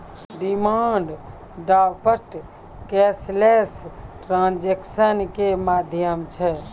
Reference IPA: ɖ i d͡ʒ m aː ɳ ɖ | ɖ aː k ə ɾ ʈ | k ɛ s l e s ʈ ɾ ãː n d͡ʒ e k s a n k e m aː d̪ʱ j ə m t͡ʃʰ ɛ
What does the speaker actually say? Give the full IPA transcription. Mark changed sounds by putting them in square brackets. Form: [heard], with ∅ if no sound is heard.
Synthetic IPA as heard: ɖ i [∅] m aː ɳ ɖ | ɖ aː [p] ə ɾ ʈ | k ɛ s l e s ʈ ɾ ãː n d͡ʒ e k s [ə] n k e m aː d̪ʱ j ə m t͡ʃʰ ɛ